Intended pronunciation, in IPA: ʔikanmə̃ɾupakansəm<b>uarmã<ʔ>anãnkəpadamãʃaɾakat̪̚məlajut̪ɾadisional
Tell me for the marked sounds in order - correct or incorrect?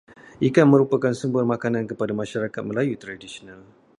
correct, incorrect: k

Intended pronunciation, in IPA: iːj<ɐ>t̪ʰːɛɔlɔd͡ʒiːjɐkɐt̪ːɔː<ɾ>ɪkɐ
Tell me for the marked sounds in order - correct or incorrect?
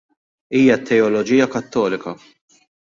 correct, incorrect: l

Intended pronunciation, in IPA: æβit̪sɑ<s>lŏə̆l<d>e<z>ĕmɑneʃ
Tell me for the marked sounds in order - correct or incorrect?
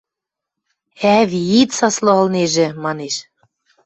correct, incorrect: n, incorrect: ʒ

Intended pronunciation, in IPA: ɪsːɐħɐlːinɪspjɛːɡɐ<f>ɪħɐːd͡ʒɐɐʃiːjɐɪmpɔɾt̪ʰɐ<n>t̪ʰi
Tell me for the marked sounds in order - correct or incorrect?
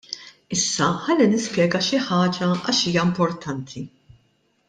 incorrect: ʃ, correct

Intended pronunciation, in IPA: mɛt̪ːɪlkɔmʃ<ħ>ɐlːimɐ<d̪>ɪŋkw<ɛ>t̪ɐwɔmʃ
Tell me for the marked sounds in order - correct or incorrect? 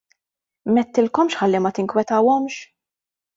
correct, incorrect: t̪, correct

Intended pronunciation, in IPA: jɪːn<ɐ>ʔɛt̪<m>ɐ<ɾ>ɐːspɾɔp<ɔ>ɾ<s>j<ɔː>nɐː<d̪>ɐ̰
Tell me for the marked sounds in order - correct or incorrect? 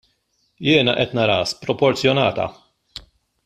correct, incorrect: n, correct, correct, incorrect: t͡s, incorrect: ɔ, incorrect: t̪

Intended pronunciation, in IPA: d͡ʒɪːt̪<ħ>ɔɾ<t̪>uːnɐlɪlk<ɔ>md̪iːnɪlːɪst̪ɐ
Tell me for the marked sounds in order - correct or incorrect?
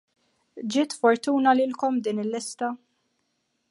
incorrect: f, correct, correct

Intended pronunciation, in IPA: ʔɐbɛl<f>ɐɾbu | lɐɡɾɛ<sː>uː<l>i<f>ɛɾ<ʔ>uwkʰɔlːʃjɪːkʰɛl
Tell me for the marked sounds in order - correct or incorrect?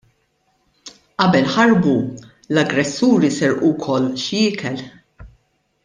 incorrect: ħ, correct, incorrect: ɾ, incorrect: s, correct

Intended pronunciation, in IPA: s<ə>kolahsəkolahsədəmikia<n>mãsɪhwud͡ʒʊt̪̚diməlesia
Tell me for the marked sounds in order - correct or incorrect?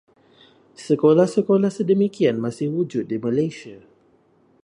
correct, correct

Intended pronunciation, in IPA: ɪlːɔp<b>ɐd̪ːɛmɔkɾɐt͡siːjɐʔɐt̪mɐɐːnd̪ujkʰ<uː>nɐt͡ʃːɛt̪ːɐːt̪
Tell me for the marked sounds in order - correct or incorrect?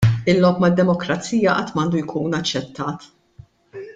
incorrect: m, correct

